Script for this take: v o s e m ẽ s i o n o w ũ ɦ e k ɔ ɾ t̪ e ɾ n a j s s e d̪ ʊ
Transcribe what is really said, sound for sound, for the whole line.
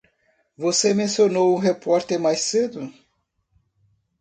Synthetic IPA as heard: v o s e m ẽ s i o n o w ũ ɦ e p ɔ ɾ t̪ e ɾ m a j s s e d̪ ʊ

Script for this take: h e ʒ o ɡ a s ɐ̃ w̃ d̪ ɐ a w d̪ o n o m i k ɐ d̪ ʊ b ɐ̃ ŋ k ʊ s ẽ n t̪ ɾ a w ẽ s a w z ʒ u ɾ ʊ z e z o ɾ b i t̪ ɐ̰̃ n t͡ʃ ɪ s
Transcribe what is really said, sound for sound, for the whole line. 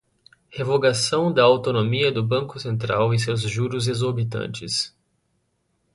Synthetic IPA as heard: h e v o ɡ a s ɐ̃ w̃ d̪ ɐ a w t̪ o n o m i ɐ d̪ ʊ b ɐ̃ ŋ k ʊ s ẽ n t̪ ɾ a w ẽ s e w z ʒ u ɾ ʊ z e z o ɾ b i t̪ ɐ̰̃ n t͡ʃ ɪ s

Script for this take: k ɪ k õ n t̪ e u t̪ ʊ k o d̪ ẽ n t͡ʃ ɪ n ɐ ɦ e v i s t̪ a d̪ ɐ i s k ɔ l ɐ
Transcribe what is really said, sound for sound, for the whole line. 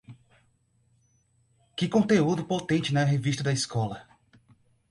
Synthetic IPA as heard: k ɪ k õ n t̪ e u d̪ ʊ p o t̪ ẽ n t͡ʃ ɪ n ɐ ɦ e v i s t̪ ɐ d̪ ɐ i s k ɔ l ɐ

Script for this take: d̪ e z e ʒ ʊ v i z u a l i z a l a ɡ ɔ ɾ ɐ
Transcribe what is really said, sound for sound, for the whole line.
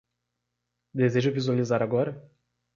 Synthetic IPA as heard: d̪ e z e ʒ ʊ v i z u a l i z a ɾ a ɡ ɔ ɾ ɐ

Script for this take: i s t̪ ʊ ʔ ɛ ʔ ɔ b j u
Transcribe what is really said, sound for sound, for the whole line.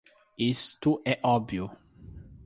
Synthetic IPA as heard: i s t̪ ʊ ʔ ɛ ʔ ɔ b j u

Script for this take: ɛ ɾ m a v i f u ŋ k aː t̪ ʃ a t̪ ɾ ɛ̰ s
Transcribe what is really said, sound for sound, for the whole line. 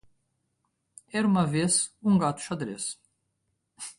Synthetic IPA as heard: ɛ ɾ m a v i s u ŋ ɡ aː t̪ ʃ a d̪ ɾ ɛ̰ s

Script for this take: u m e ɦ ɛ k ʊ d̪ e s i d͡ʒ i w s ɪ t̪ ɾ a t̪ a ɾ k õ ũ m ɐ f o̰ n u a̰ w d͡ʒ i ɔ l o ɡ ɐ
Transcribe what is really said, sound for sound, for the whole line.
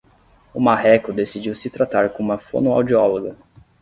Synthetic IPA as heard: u m a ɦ ɛ k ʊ d̪ e s i d͡ʒ i w s ɪ t̪ ɾ a t̪ a ɾ k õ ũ m ɐ f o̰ n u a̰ w d͡ʒ i ɔ l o ɡ ɐ

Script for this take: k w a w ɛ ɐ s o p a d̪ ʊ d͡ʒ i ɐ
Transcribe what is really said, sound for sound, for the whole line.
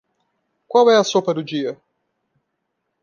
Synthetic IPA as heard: k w a w ɛ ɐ s o p ɐ d̪ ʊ d͡ʒ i ɐ

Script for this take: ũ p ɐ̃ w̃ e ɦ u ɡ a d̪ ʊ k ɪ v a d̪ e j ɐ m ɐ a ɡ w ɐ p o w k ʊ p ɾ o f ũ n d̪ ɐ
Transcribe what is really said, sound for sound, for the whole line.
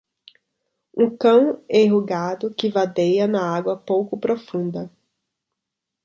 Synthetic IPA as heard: ũ k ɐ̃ w̃ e ɦ u ɡ a d̪ ʊ k ɪ v a d̪ e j ɐ n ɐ a ɡ w ɐ p o w k ʊ p ɾ o f ũ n d̪ ɐ

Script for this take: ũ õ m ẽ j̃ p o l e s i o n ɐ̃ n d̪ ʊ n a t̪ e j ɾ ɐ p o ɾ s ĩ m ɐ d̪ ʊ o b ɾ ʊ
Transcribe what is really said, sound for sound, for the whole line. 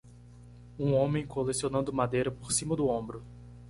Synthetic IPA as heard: ũ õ m ẽ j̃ k o l e s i o n ɐ̃ n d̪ ʊ m a d̪ e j ɾ ɐ p o ɾ s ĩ m ɐ d̪ ʊ õ b ɾ ʊ

